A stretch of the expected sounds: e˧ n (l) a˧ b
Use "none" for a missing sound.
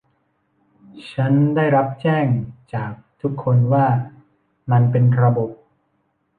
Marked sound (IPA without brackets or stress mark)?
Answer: ɾ